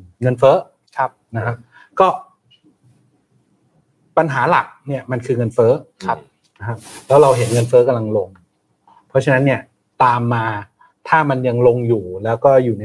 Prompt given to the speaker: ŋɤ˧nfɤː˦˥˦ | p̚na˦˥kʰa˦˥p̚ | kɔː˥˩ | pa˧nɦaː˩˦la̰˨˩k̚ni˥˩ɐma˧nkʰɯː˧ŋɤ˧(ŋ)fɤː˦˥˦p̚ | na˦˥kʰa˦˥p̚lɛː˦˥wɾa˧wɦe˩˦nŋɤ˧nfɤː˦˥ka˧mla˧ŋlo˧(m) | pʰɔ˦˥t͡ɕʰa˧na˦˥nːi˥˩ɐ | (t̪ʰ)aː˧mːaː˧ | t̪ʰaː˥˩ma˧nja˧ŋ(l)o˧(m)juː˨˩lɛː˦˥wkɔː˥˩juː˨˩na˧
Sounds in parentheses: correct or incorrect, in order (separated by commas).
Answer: incorrect, incorrect, incorrect, correct, incorrect